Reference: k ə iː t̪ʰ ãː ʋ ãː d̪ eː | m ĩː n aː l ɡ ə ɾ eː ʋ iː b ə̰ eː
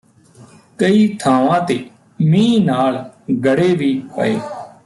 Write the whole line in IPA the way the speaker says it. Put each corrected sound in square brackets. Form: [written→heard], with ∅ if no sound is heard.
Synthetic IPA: k ə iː t̪ʰ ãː ʋ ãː [d̪→t̪] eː | m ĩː n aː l ɡ ə [ɾ→ɽ] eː ʋ iː [b→p] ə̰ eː